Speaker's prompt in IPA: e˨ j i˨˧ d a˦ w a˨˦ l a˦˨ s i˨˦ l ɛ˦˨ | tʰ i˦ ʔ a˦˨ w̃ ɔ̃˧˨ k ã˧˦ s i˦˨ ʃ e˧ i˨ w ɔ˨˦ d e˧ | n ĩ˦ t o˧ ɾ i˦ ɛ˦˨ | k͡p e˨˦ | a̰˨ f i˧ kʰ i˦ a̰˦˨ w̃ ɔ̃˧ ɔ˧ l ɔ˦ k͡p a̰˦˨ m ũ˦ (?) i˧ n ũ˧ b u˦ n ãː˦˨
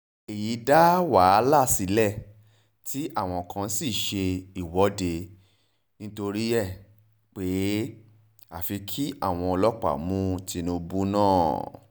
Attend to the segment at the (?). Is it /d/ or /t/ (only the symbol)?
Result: t